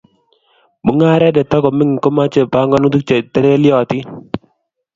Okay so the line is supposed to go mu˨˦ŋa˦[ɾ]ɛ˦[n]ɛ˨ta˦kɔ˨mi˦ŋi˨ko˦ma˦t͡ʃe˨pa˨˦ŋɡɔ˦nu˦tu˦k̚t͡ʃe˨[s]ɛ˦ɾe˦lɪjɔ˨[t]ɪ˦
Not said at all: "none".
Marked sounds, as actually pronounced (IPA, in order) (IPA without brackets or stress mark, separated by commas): ɾ, d, t, t